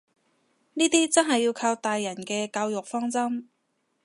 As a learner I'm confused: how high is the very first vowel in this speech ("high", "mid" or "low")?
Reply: high